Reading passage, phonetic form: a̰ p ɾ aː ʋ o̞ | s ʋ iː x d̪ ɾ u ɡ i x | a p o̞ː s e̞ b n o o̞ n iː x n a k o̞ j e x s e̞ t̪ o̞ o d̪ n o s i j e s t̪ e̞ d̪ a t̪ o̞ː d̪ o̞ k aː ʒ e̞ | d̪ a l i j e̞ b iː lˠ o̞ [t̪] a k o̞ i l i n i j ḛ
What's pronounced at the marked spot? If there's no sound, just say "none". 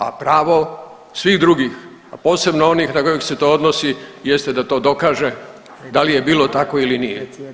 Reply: t̪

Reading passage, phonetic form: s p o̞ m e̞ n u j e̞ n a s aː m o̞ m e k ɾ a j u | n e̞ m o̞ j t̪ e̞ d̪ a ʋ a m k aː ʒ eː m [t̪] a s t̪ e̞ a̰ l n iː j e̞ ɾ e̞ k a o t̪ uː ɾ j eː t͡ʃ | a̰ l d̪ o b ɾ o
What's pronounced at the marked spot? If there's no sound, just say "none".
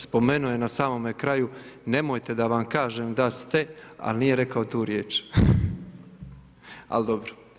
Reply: d̪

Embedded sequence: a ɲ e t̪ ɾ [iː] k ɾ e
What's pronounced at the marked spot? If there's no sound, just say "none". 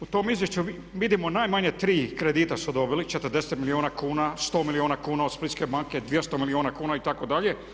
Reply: iː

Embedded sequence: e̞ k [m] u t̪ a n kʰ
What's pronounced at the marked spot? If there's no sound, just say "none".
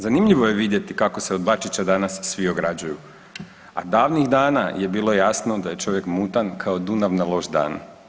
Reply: m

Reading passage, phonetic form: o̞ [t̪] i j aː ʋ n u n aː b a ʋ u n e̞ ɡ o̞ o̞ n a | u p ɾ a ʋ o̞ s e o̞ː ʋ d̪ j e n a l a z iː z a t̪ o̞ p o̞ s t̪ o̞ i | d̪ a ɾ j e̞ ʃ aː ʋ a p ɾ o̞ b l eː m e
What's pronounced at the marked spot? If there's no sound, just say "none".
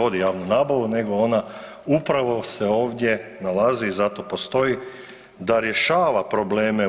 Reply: d̪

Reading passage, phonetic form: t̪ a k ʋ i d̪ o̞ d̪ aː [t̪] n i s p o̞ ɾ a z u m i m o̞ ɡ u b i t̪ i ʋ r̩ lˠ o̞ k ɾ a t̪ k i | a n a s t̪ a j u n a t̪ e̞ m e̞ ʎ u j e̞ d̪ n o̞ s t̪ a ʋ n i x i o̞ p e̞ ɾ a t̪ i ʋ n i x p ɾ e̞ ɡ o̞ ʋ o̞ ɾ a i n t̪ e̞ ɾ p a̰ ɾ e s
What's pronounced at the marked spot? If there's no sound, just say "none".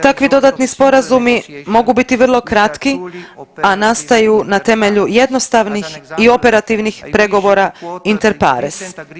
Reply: t̪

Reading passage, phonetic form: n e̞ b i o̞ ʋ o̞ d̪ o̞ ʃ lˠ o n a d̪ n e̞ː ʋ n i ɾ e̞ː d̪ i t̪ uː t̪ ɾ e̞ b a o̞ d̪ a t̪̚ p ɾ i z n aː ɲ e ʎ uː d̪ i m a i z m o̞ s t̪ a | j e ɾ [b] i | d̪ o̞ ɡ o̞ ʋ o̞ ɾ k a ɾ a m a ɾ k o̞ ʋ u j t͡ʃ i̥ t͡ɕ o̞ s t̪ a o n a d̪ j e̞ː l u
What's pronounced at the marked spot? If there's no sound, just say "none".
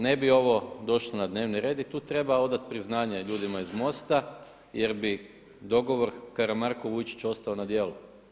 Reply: b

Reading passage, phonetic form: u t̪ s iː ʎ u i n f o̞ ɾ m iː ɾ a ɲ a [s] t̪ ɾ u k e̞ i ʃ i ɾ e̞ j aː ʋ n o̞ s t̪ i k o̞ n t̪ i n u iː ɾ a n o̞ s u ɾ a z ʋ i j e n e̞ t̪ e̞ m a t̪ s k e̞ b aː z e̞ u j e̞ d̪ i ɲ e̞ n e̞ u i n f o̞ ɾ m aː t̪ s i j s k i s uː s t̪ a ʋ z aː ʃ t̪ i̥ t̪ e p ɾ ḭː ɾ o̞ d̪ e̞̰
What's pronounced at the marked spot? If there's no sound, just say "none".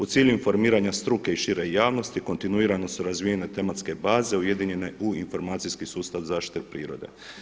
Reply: s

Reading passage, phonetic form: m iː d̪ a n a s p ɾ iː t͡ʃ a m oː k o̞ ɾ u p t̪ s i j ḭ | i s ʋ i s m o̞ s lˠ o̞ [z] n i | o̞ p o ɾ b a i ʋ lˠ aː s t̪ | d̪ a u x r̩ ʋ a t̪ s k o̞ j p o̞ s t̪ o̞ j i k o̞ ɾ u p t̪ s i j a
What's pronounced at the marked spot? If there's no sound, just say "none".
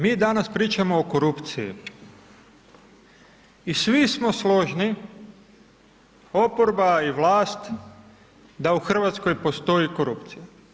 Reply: ʒ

